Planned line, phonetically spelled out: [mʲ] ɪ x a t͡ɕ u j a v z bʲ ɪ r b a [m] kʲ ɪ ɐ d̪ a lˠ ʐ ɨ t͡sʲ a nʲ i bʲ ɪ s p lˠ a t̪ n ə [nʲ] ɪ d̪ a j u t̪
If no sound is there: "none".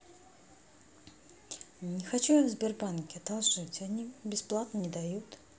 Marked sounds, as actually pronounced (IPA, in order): nʲ, n, nʲ

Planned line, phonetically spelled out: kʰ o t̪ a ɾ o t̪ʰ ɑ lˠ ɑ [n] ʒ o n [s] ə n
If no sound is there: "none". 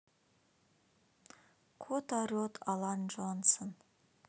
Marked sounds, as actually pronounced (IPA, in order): n, s

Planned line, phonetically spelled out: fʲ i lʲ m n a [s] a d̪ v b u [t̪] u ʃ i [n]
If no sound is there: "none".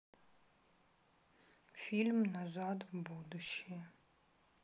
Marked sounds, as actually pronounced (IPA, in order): z, d̪, none

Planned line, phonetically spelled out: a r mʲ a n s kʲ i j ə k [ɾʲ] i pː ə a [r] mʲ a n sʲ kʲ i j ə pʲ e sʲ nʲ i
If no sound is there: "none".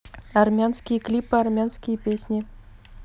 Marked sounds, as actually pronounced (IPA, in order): lʲ, r

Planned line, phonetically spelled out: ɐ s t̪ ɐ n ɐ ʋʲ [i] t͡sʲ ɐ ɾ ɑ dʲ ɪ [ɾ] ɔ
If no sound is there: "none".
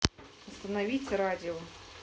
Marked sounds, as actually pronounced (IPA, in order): i, none

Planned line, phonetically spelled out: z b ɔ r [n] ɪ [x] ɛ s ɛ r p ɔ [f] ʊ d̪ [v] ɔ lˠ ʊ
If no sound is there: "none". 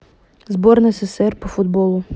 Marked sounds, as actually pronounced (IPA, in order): n, s, f, b

